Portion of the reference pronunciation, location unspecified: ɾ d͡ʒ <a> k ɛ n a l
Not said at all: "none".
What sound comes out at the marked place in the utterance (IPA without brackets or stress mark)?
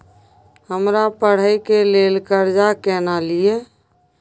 a